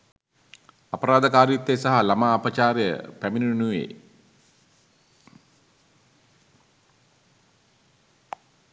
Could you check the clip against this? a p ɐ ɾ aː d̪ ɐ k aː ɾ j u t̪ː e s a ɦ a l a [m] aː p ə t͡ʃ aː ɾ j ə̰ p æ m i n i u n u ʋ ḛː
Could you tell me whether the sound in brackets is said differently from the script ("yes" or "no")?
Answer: no